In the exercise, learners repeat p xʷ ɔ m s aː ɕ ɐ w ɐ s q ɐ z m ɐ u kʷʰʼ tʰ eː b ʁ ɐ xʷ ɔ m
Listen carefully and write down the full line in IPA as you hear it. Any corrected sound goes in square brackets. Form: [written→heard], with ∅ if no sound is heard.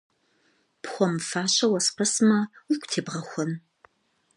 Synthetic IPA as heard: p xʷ ɔ m [s→f] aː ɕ ɐ w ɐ s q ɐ [z→s] m ɐ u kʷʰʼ tʰ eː b ʁ ɐ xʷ ɔ [m→n]